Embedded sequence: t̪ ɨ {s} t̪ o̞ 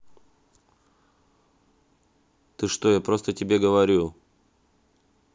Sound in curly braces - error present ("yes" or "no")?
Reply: yes